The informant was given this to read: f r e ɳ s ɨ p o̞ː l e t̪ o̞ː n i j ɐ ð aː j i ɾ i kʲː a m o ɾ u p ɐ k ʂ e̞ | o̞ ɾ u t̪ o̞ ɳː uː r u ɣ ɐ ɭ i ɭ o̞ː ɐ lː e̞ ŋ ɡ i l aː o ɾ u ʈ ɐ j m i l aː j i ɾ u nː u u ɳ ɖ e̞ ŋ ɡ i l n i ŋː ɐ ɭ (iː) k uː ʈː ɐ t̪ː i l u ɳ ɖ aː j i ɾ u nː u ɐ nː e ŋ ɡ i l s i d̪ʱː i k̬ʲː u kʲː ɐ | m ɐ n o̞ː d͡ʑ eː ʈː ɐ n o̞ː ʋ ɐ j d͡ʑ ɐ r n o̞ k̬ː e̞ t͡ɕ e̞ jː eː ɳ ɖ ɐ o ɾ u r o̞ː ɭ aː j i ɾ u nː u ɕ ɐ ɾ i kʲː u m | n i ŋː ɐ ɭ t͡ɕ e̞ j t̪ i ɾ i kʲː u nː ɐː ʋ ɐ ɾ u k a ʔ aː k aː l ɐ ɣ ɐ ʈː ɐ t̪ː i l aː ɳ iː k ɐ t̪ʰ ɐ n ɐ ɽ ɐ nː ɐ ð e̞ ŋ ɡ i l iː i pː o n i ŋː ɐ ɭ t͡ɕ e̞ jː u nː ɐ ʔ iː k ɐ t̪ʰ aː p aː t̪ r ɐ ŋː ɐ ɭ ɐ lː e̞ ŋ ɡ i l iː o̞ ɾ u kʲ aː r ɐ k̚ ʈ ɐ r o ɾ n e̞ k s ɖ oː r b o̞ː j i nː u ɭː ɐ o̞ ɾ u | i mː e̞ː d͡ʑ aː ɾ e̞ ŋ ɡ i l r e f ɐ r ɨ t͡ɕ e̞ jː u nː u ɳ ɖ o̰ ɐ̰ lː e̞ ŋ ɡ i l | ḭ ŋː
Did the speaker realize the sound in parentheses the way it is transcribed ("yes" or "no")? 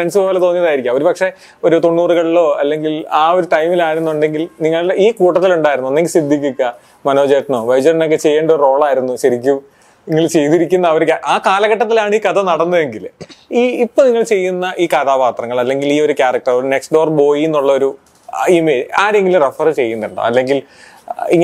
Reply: yes